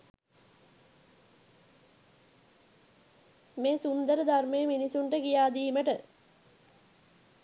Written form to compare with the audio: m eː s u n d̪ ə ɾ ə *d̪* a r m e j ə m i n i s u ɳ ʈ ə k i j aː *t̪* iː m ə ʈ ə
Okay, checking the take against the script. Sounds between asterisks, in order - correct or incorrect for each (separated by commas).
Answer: correct, incorrect